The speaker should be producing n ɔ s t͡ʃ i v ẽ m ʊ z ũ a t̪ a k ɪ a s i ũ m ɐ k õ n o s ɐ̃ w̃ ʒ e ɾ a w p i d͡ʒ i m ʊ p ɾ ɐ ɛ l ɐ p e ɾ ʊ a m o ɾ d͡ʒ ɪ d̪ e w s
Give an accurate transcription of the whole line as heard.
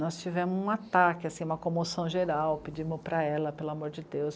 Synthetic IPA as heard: n ɔ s t͡ʃ i v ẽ m ʊ z ũ a t̪ a k ɪ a s ĩ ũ m ɐ k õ m o s ɐ̃ w̃ ʒ e ɾ a w p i d͡ʒ i m ʊ p ɾ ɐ ɛ l ɐ p e l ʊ a m o ɾ d͡ʒ ɪ d̪ e w s